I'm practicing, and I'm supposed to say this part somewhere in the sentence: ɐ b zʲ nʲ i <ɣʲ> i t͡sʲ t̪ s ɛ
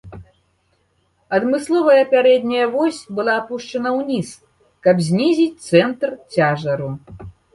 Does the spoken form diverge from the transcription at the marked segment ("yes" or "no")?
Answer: yes